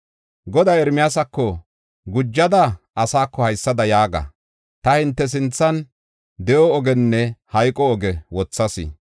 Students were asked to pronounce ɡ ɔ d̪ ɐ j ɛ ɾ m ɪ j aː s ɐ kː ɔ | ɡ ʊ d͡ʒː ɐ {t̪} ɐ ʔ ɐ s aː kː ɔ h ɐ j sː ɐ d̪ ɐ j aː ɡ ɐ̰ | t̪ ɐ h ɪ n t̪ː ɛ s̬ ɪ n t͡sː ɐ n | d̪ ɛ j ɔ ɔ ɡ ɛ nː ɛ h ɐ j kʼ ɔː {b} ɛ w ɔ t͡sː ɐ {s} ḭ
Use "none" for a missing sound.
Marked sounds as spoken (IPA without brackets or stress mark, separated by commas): d̪, ɡ, s